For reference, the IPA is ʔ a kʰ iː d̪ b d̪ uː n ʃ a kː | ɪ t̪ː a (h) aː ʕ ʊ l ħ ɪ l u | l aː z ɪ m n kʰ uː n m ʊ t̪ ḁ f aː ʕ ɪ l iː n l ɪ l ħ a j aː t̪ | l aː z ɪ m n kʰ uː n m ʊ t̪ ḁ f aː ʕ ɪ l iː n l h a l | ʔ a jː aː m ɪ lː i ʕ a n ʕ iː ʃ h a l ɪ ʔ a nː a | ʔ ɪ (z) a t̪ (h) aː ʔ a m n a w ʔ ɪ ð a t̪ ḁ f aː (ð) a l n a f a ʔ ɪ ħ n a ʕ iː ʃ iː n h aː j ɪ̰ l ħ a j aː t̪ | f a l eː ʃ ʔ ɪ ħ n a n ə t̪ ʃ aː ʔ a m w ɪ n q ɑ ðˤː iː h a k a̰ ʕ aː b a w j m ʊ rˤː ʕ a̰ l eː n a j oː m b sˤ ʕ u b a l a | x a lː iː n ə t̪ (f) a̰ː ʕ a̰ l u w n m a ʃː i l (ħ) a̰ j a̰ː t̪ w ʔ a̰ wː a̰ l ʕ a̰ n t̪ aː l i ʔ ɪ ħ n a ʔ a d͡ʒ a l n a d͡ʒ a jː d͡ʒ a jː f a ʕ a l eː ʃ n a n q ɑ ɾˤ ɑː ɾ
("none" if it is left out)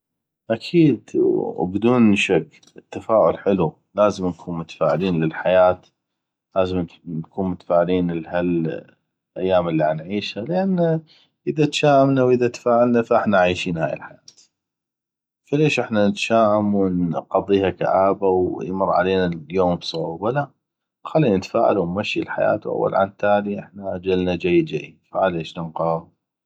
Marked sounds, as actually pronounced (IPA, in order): f, ð, ʃ, ʕ, f, ħ

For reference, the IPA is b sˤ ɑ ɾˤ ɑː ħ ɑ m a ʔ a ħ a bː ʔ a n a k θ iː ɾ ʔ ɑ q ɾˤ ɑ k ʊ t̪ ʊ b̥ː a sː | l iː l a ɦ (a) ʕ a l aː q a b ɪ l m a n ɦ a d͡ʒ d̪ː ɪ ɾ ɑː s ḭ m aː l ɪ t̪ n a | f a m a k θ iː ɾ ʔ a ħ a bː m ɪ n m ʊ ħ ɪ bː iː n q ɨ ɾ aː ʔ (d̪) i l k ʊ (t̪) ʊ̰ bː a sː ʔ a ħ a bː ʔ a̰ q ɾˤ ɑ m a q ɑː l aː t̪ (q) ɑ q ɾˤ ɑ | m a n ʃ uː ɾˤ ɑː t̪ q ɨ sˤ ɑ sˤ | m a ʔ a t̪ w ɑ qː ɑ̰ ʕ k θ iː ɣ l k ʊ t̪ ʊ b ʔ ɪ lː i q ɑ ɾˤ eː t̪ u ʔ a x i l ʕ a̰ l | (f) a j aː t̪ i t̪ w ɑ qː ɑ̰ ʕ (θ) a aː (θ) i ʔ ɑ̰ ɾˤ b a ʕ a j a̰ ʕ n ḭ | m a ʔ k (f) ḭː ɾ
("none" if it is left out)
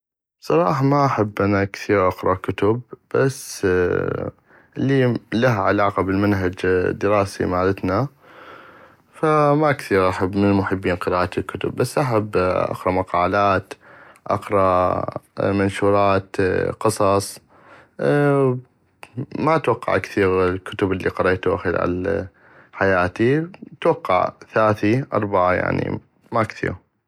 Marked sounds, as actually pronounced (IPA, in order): a, t̪, t̪, ʔ, ħ, θ, θ, θ

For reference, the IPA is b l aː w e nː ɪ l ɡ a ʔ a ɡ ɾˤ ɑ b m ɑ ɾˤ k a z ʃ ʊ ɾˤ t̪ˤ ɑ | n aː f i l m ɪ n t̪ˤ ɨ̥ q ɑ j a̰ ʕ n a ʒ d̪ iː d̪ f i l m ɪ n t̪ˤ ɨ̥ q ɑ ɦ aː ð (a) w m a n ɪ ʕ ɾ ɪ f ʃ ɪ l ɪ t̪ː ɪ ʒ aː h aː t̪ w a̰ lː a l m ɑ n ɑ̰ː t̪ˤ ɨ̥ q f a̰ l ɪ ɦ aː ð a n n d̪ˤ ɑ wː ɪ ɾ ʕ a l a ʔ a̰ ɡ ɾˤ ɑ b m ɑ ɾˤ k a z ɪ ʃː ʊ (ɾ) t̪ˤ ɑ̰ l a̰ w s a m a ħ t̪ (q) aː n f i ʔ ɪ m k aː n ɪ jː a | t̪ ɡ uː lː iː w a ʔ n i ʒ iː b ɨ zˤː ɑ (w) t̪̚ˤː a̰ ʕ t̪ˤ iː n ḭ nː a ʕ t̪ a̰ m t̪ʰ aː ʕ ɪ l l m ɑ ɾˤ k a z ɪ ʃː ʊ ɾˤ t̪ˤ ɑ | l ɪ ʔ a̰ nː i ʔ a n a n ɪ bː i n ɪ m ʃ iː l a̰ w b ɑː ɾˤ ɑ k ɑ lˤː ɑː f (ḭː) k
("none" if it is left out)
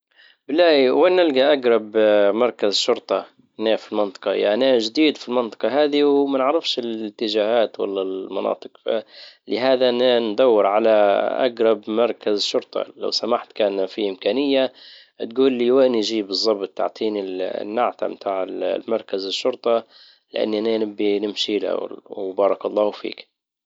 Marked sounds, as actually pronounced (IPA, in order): i, ɾ, k, b, ḭː

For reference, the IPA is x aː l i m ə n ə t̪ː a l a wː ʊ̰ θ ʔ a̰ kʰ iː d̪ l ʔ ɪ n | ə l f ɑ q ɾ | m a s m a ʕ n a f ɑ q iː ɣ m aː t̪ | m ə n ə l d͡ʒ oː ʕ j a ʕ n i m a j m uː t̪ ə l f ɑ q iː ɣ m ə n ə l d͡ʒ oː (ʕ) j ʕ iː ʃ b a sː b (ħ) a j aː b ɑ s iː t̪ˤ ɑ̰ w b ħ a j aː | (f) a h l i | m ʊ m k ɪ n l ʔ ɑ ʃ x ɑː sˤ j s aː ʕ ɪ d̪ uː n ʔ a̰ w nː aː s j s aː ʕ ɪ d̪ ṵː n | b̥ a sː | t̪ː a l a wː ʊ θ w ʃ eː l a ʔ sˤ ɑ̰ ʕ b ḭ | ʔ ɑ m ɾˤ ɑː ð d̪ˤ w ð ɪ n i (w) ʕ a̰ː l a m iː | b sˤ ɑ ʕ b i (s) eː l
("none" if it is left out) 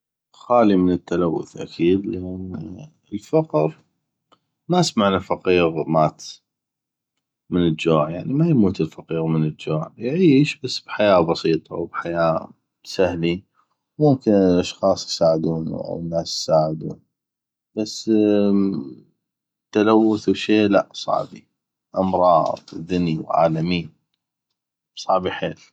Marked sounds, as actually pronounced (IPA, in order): ʕ, ħ, s, w, ħ

